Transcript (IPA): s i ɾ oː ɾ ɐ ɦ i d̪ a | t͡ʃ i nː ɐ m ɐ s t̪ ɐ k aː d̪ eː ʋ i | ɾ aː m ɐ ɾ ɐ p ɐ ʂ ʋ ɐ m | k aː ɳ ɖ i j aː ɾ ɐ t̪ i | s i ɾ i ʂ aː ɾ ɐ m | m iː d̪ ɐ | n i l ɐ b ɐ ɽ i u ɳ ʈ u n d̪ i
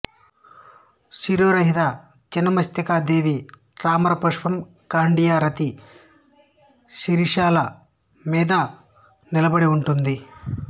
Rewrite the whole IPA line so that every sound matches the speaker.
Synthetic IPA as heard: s i ɾ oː ɾ ɐ ɦ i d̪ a | t͡ʃ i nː ɐ m ɐ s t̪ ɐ k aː d̪ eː ʋ i | ɾ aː m ɐ ɾ ɐ p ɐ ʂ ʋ ɐ m | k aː ɳ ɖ i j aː ɾ ɐ t̪ i | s i ɾ i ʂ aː l ɐ | m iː d̪ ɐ | n i l ɐ b ɐ ɽ i u ɳ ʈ u n d̪ i